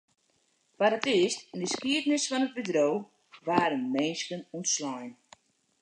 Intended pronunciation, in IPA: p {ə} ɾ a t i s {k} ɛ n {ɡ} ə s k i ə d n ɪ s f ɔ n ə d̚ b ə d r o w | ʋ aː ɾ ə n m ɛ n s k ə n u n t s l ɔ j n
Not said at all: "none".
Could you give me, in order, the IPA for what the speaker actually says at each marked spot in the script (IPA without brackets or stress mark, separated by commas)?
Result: a, t, d